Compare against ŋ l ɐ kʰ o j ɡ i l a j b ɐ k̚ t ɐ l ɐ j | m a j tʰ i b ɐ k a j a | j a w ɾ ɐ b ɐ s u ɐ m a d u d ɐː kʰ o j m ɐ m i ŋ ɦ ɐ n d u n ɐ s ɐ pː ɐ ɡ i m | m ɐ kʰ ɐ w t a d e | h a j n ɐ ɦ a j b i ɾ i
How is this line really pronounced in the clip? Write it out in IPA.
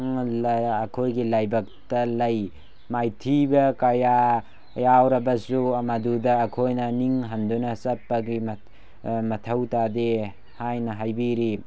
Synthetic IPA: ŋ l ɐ kʰ o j ɡ i l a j b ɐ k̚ t ɐ l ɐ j | m a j tʰ i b ɐ k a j a | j a w ɾ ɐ b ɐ s u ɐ m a d u d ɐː kʰ o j n ɐ n i ŋ ɦ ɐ n d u n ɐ s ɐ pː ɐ ɡ i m | m ɐ tʰ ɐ w t a d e | h a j n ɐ ɦ a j b i ɾ i